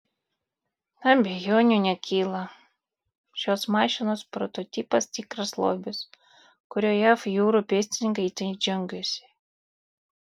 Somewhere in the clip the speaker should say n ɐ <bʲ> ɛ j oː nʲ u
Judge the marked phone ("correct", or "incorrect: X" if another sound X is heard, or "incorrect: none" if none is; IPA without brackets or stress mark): correct